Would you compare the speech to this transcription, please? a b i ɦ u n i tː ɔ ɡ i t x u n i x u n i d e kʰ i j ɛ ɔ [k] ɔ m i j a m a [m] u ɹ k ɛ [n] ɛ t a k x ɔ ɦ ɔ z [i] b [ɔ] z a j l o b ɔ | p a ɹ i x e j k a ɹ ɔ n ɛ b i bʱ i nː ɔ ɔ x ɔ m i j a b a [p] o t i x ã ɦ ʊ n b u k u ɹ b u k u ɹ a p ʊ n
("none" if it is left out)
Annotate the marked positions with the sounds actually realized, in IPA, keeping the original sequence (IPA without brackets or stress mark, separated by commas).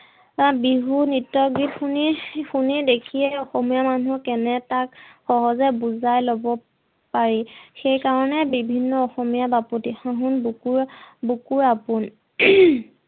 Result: x, n, n, ɛ, u, p